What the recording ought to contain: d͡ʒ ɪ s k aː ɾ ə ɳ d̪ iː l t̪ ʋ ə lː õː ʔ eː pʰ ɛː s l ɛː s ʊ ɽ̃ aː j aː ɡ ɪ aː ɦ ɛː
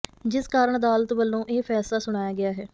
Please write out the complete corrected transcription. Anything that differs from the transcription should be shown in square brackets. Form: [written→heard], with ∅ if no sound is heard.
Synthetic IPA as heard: d͡ʒ ɪ s k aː ɾ ə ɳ d̪ [iː→aː] l t̪ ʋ ə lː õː ʔ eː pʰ ɛː s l [ɛː→aː] s ʊ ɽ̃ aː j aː ɡ ɪ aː ɦ ɛː